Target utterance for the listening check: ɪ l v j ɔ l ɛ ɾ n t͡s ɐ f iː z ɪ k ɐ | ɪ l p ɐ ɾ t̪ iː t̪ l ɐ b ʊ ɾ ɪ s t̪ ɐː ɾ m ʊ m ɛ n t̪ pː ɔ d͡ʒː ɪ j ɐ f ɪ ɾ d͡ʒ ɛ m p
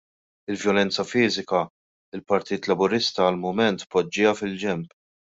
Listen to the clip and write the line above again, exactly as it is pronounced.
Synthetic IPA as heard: ɪ l v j ɔ l ɛ n t͡s ɐ f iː z ɪ k ɐ | ɪ l p ɐ ɾ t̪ iː t̪ l ɐ b ʊ ɾ ɪ s t̪ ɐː l m ʊ m ɛ n t̪ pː ɔ d͡ʒː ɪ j ɐ f ɪ l d͡ʒ ɛ m p